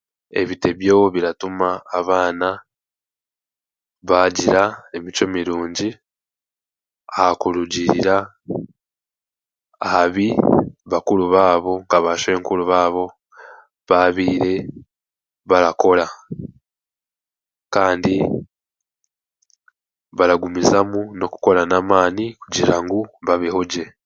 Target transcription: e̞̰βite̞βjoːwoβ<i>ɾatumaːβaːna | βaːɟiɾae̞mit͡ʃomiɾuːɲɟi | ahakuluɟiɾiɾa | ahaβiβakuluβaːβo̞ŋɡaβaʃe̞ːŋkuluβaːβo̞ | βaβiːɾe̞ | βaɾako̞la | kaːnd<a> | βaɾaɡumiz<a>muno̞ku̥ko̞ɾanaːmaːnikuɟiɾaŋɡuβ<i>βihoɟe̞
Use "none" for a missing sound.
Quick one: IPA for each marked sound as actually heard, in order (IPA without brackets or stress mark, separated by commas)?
i, i, a, a